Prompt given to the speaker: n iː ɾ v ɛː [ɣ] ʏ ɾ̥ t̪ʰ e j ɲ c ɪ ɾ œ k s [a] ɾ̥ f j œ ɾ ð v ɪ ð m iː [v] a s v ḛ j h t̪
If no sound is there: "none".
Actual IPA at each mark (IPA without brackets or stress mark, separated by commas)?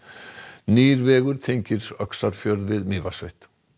ɣ, a, v